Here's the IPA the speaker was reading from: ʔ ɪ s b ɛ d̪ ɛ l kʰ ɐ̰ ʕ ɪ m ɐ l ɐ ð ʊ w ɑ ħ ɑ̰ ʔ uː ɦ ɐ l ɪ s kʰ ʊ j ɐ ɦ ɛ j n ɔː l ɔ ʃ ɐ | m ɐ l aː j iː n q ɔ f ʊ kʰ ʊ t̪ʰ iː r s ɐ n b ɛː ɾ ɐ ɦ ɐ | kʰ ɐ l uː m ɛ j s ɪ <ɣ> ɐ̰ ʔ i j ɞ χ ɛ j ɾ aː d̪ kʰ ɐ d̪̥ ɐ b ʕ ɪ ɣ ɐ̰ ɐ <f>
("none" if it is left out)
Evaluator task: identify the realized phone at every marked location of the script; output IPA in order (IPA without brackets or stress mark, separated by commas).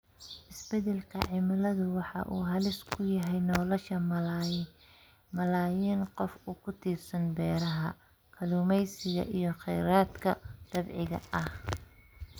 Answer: ɣ, h